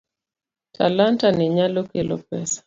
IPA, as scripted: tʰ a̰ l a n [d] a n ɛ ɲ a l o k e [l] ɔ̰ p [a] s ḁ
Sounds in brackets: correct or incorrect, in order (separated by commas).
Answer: incorrect, correct, incorrect